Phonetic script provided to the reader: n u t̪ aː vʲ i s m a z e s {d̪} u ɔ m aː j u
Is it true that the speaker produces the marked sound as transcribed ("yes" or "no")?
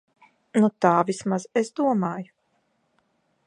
yes